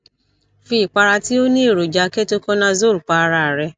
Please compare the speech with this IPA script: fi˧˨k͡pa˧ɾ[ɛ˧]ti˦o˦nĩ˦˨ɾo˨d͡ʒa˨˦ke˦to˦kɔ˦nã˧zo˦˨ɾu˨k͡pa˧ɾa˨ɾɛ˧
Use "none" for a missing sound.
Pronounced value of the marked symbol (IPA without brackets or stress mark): a˧